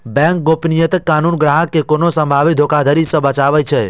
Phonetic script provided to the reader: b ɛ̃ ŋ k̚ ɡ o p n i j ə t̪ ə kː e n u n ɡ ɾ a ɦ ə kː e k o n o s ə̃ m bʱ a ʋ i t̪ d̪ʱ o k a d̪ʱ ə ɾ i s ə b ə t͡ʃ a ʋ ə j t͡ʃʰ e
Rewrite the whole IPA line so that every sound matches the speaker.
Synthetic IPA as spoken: b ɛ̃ ŋ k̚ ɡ o p n i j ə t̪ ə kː a n u n ɡ ɾ a ɦ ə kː e k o n o s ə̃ m bʱ a ʋ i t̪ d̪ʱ o k a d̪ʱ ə ɾ i s ə b ə t͡ʃ a ʋ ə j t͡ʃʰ e

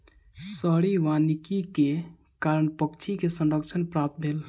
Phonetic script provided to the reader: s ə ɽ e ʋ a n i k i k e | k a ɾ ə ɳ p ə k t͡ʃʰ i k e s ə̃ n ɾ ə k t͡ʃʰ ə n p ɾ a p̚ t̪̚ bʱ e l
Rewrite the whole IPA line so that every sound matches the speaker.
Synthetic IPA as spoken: s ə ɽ i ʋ a n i k i k e | k a ɾ ə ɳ p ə k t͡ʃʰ i k e s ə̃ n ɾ ə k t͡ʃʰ ə n p ɾ a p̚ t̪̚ bʱ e l

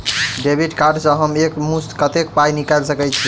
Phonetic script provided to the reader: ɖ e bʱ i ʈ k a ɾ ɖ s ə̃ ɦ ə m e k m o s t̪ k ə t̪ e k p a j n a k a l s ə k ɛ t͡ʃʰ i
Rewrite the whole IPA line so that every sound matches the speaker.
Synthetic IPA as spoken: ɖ e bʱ i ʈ k a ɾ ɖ s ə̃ ɦ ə m e k m u s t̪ k ə t̪ e k p a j n i k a l s ə k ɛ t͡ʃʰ i

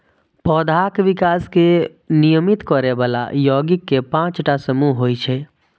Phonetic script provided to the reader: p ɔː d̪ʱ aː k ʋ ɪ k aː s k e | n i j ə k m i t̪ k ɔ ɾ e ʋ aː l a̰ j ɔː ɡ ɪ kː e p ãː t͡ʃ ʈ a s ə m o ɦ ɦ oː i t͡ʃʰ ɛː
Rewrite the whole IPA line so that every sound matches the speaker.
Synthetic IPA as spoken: p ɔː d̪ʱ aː k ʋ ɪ k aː s k e | n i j ə m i t̪ k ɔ ɾ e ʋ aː l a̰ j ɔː ɡ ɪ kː e p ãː t͡ʃ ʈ a s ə m u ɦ ɦ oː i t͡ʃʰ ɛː

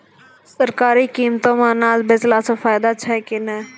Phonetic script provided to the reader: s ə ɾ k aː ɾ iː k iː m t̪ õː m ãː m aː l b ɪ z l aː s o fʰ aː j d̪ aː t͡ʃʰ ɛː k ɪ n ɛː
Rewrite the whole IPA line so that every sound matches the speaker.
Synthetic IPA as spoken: s ə ɾ k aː ɾ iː k iː m t̪ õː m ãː n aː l b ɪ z l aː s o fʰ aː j d̪ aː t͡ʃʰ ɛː k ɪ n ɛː

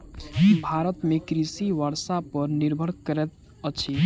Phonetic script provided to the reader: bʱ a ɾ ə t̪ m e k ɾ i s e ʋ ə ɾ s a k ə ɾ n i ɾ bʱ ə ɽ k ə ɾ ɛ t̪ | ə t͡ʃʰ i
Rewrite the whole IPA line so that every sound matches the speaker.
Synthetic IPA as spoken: bʱ a ɾ ə t̪ m e k ɾ i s i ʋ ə ɾ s a p ə ɾ n i ɾ bʱ ə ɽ k ə ɾ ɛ t̪ | ə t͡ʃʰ i

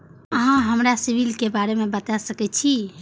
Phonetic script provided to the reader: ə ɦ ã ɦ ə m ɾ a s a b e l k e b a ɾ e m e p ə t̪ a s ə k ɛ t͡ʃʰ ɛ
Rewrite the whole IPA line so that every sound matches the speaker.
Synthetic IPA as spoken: ə ɦ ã ɦ ə m ɾ a s i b i l k e b a ɾ e m e b ə t̪ a s ə k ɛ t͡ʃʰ i

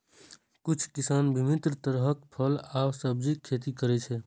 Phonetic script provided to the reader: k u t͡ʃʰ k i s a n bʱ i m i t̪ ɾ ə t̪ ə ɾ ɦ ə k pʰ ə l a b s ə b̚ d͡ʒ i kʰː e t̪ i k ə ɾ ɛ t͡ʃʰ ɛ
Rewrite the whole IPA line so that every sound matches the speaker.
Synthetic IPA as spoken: k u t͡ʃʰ k i s a n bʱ i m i t̪ ɾ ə t̪ ə ɾ ɦ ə k pʰ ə l a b s ə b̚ d͡ʒ i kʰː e t̪ i k ə ɾ ɛ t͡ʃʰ ɛ

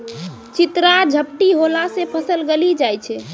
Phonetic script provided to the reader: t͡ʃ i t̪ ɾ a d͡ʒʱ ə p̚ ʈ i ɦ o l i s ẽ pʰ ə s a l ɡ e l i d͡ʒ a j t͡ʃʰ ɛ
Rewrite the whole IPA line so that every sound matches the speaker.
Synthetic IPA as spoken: t͡ʃ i t̪ ɾ a d͡ʒʱ ə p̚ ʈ i ɦ o l a s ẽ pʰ ə s ə l ɡ e l i d͡ʒ a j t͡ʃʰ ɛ

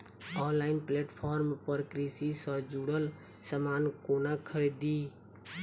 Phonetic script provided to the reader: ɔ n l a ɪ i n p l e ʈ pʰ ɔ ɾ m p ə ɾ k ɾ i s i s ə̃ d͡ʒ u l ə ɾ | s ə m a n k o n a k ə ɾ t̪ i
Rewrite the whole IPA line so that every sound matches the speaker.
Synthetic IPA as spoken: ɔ n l a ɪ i n p l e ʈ pʰ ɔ ɾ m p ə ɾ k ɾ i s i s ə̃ d͡ʒ u ɽ ə l | s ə m a n k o n a kʰ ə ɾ d̪ i

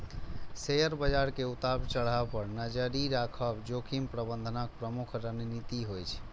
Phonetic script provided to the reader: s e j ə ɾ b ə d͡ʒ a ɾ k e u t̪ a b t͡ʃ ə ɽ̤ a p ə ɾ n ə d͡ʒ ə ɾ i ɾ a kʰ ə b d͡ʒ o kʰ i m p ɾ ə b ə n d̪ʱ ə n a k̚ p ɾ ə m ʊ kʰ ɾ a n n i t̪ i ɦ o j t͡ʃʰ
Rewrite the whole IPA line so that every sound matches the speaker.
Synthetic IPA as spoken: s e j ə ɾ b ə d͡ʒ a ɾ k e u t̪ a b t͡ʃ ə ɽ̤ a p ə ɾ n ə d͡ʒ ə ɾ i ɾ a kʰ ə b d͡ʒ o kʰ i m p ɾ ə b ə n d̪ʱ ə n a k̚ p ɾ ə m u kʰ ɾ ə n n i t̪ i ɦ o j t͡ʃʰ

